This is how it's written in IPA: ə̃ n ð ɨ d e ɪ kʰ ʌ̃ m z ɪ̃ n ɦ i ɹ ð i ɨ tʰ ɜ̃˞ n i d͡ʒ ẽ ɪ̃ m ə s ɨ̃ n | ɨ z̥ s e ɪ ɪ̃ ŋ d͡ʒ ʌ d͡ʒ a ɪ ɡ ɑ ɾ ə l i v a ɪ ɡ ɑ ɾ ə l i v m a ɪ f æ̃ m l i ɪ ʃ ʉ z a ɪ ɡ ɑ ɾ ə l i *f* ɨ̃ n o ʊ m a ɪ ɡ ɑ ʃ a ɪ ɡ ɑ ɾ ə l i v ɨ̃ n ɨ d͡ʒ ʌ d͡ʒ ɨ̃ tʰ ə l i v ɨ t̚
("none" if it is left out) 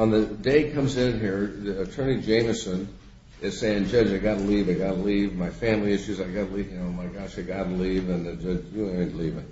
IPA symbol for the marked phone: v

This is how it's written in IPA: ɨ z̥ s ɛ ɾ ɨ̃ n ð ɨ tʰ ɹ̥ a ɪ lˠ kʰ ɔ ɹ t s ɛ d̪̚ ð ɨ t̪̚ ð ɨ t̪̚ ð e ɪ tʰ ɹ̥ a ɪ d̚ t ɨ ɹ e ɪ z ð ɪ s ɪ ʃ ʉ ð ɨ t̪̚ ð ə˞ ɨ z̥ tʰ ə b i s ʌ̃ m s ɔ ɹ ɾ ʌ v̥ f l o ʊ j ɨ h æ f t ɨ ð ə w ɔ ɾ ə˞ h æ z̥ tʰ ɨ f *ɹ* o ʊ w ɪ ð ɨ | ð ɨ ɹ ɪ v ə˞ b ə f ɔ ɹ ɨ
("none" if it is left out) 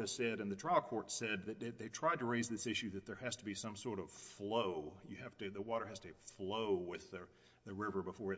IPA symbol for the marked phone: l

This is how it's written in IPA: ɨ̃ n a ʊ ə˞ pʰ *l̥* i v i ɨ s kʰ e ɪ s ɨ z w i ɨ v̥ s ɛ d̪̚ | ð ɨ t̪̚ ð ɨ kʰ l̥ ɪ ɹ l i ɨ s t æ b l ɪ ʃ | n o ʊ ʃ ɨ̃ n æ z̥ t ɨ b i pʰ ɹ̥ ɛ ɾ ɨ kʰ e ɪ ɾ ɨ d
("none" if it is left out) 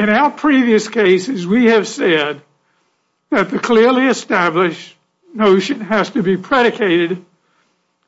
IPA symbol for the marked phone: ɹ̥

